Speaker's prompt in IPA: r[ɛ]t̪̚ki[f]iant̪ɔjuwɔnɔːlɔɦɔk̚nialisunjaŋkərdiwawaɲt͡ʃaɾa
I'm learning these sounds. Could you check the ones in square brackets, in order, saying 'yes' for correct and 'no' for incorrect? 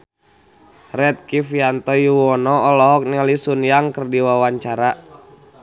yes, yes

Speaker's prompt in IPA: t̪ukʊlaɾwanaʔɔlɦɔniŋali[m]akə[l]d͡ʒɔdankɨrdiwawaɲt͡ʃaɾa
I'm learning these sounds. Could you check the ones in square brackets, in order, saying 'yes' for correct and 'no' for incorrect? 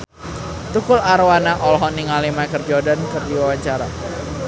yes, no

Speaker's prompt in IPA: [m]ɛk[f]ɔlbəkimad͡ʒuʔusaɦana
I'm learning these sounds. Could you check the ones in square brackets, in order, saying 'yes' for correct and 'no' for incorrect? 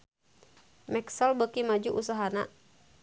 yes, no

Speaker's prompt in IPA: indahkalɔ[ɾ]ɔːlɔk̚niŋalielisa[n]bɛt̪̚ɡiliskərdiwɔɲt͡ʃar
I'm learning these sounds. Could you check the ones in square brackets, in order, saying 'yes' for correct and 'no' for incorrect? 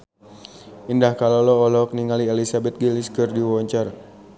no, no

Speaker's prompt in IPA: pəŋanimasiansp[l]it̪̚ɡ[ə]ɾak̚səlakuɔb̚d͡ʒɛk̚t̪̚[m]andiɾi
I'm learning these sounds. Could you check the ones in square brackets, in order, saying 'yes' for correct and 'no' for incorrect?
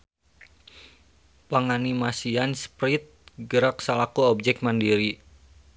no, yes, yes

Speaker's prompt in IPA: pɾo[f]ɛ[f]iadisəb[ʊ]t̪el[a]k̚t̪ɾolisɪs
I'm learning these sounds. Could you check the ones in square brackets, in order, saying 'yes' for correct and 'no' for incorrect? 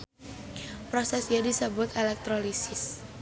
no, no, yes, no

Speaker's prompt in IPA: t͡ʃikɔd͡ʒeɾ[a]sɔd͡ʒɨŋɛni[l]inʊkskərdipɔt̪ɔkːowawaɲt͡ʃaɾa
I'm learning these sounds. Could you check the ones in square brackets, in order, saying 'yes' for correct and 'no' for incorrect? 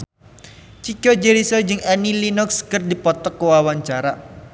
no, yes

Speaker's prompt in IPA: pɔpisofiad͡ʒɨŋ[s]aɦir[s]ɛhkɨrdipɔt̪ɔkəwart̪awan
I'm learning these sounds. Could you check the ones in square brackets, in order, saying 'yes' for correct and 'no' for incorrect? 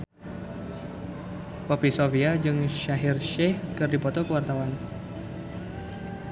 no, no

